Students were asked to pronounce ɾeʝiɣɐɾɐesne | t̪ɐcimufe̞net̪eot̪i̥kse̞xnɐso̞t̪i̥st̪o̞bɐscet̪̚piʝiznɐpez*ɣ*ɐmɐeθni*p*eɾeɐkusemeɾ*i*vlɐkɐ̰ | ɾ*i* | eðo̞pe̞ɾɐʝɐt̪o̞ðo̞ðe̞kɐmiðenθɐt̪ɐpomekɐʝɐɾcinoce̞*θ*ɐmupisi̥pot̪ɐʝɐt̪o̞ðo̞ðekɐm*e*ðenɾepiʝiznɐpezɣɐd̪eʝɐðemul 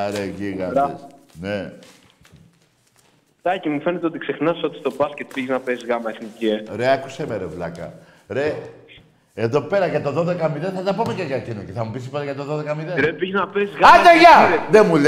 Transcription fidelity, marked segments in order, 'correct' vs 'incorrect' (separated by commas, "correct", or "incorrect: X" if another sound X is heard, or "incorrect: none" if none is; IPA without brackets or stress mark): correct, incorrect: c, incorrect: e, incorrect: e, correct, incorrect: i